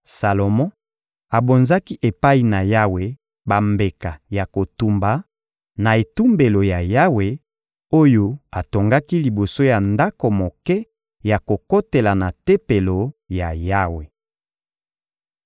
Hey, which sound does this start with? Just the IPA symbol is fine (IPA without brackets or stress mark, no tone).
s